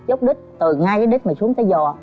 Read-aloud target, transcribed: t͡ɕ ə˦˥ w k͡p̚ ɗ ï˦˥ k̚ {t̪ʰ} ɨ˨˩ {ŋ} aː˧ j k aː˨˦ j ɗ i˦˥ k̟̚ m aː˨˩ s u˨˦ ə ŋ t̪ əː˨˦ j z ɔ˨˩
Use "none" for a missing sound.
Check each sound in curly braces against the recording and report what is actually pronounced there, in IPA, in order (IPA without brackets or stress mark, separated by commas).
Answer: t̪, ŋ